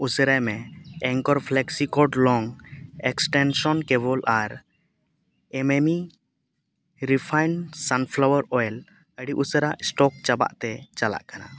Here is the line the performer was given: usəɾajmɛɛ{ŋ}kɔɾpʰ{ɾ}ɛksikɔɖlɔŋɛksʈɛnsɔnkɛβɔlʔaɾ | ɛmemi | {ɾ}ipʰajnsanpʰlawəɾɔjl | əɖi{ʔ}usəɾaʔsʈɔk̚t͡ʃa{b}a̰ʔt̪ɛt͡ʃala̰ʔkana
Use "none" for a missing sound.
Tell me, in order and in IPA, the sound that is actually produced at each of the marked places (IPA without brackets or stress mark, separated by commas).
ŋ, l, ɾ, ʔ, b